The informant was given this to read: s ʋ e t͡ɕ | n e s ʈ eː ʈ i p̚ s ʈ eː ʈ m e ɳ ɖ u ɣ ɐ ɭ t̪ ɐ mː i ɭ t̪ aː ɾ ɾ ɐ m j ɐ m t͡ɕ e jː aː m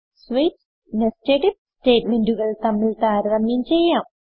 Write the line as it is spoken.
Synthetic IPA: s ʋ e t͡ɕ | n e s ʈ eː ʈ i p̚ s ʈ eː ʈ m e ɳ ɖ u ɣ ɐ ɭ t̪ ɐ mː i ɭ t̪ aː ɾ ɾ ɐ m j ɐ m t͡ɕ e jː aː m